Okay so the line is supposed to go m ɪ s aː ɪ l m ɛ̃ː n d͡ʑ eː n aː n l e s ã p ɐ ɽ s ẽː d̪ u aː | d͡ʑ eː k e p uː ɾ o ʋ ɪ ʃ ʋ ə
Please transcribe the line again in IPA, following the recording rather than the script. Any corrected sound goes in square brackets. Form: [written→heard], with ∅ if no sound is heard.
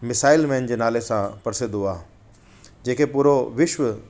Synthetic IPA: m ɪ s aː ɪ l m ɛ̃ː n d͡ʑ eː n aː [n→∅] l e s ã p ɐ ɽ s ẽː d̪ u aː | d͡ʑ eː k e p uː ɾ o ʋ ɪ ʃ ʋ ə